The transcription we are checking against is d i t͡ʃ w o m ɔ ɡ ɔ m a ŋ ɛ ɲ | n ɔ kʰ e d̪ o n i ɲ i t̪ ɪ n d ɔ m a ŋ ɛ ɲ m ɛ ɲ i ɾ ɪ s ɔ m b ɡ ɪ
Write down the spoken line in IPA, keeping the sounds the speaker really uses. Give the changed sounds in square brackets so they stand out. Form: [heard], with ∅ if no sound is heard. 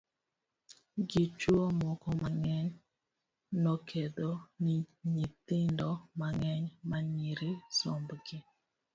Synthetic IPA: [ɡ] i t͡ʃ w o m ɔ [k] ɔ m a ŋ ɛ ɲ | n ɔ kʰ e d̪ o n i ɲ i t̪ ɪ n d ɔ m a ŋ ɛ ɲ m [a] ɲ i ɾ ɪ s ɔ m b ɡ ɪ

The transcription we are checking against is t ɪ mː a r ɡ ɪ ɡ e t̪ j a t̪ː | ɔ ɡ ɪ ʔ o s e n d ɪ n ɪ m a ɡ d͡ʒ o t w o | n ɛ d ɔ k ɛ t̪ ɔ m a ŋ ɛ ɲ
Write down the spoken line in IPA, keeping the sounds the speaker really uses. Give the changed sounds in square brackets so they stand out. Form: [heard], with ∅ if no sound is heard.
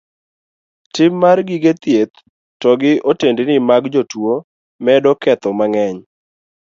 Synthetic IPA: t ɪ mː a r ɡ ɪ ɡ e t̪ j [e] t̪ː | ɔ ɡ ɪ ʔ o [t] e n d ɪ n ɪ m a ɡ d͡ʒ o t w o | [m] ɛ d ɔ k ɛ t̪ ɔ m a ŋ ɛ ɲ

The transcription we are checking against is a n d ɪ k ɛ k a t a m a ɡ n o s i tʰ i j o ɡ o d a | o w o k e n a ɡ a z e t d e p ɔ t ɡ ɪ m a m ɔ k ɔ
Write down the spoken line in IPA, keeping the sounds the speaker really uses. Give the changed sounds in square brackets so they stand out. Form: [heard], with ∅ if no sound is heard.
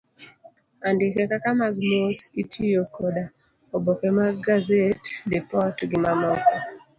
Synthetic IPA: a n d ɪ k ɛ k a [k] a m a ɡ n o s i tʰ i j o [k] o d a | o [b] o k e [m] a ɡ a z e t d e p ɔ t ɡ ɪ m a m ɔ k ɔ

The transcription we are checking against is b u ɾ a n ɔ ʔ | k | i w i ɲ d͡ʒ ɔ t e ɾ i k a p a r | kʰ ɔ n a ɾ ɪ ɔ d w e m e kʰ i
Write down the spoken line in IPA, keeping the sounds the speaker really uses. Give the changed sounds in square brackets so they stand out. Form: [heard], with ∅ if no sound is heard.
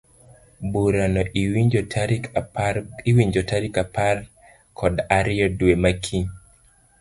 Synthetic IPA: b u ɾ a n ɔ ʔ | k | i w i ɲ d͡ʒ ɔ t [a] ɾ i k a p a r | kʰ ɔ [d] a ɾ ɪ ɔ d w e m [a] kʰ i

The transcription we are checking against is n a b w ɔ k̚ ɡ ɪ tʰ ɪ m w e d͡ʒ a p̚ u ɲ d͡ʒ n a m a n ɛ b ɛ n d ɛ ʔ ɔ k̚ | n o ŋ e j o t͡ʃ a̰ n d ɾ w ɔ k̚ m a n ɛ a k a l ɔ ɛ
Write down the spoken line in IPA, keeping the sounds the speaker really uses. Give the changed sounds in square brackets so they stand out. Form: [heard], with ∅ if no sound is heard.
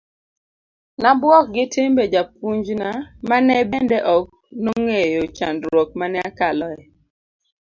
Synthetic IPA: n a b w ɔ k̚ ɡ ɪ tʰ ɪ m [b] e d͡ʒ a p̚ u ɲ d͡ʒ n a m a n ɛ b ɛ n d ɛ ʔ ɔ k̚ | n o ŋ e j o t͡ʃ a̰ n d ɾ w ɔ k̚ m a n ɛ a k a l ɔ ɛ

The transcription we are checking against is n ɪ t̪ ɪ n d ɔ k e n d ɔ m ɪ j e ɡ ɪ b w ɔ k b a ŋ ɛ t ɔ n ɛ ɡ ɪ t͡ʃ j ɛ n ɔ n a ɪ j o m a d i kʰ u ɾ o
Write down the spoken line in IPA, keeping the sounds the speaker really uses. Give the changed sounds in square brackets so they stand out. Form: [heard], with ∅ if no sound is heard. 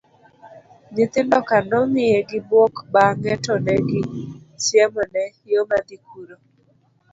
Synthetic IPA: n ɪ t̪ ɪ n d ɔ k [a] n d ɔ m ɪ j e ɡ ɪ b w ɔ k b a ŋ ɛ t ɔ n ɛ ɡ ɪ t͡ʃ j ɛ [m] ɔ n [ɛ] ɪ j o m a d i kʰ u ɾ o

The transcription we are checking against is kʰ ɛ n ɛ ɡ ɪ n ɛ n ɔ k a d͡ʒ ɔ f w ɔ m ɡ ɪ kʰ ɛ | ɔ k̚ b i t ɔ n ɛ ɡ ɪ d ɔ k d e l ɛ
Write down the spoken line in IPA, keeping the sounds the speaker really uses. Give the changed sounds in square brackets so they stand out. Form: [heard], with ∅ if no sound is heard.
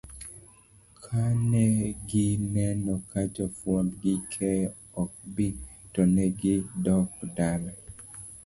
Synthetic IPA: kʰ [a] n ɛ ɡ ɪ n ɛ n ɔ k a d͡ʒ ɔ f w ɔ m ɡ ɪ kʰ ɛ | ɔ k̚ b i t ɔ n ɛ ɡ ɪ d ɔ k d [a] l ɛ

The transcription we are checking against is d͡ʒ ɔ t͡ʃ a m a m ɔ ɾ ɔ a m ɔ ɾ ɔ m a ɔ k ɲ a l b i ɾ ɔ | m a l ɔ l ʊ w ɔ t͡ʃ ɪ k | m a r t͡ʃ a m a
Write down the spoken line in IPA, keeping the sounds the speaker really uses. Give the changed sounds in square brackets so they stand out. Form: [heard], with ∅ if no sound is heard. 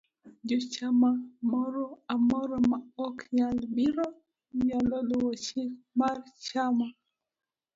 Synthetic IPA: d͡ʒ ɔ t͡ʃ a m a m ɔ ɾ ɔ a m ɔ ɾ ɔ m a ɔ k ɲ a l b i ɾ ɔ | [ɲ] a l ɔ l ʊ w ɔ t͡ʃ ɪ k | m a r t͡ʃ a m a

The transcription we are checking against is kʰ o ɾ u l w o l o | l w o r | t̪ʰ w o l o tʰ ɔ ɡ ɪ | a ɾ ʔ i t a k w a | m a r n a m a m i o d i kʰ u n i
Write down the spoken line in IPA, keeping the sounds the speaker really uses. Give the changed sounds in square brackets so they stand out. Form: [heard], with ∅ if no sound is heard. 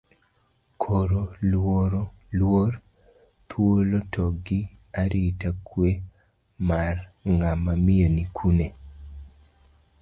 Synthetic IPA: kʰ o ɾ [o] l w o [ɾ] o | l w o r | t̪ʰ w o l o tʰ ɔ ɡ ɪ | a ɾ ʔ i t a k w [e] | m a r [ŋ] a m a m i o [n] i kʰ u n [e]

